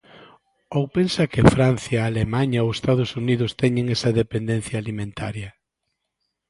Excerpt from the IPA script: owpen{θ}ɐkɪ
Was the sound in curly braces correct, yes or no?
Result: no